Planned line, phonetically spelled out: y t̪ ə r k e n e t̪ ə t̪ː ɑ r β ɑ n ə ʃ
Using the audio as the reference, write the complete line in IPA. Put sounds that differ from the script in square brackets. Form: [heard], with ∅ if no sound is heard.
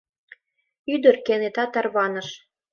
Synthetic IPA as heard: y [d̪] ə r k e n e t̪ [ɑ] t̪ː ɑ r β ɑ n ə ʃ

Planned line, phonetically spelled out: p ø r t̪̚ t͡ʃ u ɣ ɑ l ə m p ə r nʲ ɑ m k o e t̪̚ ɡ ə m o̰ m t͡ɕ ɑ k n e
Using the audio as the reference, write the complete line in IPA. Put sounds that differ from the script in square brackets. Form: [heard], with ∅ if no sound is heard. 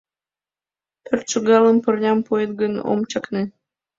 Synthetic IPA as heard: p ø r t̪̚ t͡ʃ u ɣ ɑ l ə m p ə r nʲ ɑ m [p] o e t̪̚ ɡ ə [n] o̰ m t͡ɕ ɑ k n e

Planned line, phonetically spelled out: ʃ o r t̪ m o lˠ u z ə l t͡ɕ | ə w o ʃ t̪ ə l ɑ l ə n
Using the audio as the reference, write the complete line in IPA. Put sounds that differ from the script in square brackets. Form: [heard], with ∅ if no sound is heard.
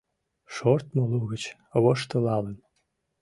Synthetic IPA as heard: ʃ o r t̪ m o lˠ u [ɣ] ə [∅] t͡ɕ | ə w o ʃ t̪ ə l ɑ l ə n

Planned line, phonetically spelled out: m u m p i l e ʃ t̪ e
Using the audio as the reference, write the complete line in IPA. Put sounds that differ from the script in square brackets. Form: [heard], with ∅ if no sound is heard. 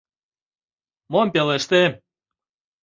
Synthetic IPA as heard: m [o] m p [e] l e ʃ t̪ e

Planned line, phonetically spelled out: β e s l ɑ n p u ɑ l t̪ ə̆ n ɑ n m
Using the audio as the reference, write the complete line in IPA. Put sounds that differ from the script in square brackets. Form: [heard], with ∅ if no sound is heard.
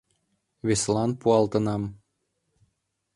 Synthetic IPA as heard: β e s l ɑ n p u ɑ l t̪ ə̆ n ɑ [∅] m

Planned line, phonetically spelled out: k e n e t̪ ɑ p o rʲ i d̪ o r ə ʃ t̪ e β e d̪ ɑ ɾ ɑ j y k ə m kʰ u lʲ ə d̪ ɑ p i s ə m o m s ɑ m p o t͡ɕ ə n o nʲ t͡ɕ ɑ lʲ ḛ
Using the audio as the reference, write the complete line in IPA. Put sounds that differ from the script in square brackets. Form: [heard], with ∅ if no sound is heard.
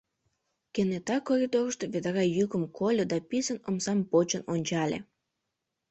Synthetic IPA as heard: k e n e t̪ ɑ [k] o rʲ i d̪ o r ə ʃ t̪ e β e d̪ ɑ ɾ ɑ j y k ə m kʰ [o] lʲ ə d̪ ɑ p i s ə [n] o m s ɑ m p o t͡ɕ ə n o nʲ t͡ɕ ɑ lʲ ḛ

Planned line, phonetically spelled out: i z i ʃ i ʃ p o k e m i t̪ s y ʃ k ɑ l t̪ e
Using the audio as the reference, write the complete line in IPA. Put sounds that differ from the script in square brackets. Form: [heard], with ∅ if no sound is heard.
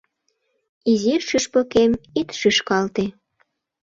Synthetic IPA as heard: i z i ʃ [y] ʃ p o k e m i t̪ [ʃ] y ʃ k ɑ l t̪ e

